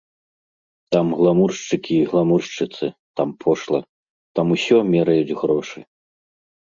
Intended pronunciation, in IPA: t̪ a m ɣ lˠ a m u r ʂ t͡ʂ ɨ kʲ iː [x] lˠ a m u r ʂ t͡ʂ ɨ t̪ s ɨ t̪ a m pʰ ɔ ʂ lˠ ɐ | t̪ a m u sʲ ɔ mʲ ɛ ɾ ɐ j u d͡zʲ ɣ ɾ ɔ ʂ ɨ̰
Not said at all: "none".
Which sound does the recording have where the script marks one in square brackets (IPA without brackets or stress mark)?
ɣ